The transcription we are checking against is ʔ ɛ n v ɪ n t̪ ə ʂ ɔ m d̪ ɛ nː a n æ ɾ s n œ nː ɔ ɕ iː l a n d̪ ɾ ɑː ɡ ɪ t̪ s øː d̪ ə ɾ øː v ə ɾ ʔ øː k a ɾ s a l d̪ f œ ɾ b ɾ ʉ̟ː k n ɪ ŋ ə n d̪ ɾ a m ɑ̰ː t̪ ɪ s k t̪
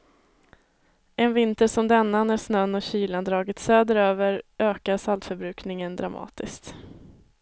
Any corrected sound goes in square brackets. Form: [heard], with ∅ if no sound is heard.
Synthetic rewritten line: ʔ ɛ n v ɪ n t̪ ə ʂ ɔ m d̪ ɛ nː a n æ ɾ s n œ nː ɔ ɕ iː l a n d̪ ɾ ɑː ɡ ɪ t̪ s øː d̪ ə ɾ øː v ə ɾ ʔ øː k a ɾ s a l [t̪] f œ ɾ b ɾ ʉ̟ː k n ɪ ŋ ə n d̪ ɾ a m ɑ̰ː t̪ ɪ s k t̪